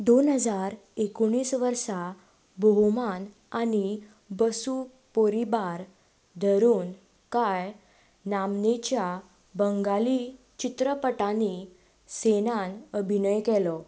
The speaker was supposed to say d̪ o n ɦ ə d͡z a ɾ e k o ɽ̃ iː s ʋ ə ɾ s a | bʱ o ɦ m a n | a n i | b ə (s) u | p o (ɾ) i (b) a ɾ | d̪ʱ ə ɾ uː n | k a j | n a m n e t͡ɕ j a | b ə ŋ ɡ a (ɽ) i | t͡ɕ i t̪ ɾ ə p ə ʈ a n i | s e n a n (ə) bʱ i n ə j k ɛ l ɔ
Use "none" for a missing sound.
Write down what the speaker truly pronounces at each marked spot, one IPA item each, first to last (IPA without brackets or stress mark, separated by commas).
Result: s, ɾ, b, l, ə